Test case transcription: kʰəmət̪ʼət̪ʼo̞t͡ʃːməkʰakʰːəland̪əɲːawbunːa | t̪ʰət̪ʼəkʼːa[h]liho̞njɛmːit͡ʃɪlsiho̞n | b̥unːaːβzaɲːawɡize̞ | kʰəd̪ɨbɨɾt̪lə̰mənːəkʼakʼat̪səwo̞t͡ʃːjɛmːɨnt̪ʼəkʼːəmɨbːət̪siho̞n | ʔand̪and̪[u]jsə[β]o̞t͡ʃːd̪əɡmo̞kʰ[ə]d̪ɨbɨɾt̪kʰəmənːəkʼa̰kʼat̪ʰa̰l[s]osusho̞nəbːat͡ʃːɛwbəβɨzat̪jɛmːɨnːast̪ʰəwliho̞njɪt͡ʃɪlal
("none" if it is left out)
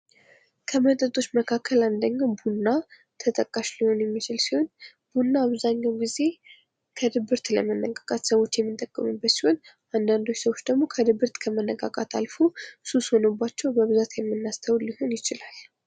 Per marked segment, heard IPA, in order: ʃ, o, w, ə, f

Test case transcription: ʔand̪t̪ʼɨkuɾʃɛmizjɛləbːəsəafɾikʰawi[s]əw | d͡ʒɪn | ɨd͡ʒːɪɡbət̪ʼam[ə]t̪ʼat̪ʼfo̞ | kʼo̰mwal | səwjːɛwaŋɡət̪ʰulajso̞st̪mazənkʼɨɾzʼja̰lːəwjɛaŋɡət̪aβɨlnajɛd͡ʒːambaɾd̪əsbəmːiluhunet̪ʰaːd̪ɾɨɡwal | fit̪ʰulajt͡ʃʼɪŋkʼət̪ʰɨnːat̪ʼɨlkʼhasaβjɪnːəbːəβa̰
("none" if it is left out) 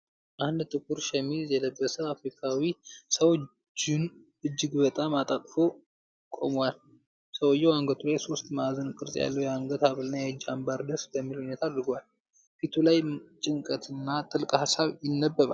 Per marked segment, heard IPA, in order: s, a

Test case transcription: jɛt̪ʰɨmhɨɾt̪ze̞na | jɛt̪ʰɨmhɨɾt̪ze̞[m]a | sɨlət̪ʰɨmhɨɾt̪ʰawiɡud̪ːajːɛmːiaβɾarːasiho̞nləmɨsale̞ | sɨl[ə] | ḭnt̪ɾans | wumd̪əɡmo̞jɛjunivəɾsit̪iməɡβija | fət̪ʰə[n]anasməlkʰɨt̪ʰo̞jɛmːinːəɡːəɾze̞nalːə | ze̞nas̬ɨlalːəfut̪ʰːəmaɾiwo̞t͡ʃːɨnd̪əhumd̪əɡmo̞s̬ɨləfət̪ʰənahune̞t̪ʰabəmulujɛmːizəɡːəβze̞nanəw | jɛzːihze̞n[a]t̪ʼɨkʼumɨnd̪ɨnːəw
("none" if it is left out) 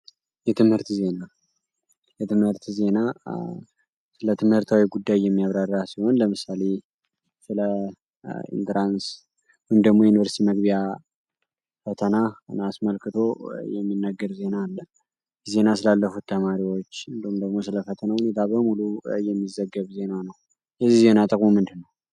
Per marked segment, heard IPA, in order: n, ə, n, a

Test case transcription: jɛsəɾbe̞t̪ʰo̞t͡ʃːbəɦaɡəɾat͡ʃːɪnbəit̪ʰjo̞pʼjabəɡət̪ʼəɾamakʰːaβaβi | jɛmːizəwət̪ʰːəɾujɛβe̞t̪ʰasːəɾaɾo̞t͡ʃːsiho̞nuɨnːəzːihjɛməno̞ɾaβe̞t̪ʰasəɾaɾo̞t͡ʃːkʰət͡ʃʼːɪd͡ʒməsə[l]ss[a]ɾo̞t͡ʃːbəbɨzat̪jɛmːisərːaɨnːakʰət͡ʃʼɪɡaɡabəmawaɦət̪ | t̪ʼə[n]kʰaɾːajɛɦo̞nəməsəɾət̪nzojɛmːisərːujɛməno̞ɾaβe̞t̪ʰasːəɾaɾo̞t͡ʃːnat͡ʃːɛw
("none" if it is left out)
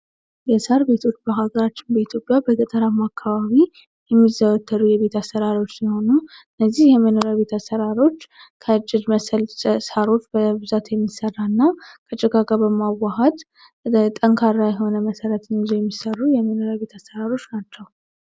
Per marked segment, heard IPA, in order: l, a, ŋ

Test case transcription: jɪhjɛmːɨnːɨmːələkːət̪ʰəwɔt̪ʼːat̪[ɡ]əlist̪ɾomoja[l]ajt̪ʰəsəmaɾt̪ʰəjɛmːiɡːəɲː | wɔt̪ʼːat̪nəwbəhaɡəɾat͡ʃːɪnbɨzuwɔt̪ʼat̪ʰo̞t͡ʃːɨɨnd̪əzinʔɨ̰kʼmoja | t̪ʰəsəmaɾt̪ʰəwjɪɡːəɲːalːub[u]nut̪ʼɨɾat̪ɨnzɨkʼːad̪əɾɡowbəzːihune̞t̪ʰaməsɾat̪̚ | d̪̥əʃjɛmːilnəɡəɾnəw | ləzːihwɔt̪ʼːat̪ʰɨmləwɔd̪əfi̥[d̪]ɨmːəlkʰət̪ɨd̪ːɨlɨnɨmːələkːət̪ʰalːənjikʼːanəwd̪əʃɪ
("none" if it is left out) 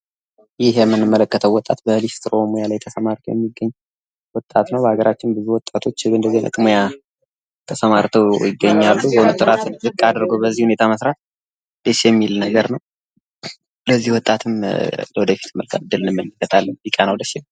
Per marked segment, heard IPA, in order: b, l, o, t̪

